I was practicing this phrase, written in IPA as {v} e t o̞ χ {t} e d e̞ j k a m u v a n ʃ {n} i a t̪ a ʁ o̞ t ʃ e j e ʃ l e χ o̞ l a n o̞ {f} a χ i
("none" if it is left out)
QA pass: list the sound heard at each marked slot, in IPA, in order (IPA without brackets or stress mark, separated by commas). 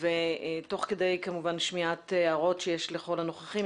v, k, m, χ